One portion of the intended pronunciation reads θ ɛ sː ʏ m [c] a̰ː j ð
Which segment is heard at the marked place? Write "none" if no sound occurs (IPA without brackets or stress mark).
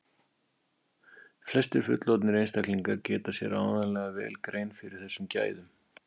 c